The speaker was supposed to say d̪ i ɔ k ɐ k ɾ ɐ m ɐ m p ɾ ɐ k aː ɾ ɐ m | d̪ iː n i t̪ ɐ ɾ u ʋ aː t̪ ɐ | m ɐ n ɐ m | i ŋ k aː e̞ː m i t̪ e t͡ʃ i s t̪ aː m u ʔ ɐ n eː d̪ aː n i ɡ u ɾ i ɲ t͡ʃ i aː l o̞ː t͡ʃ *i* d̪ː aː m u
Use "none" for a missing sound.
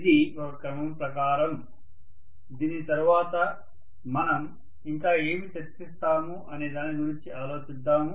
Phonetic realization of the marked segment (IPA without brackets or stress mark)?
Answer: i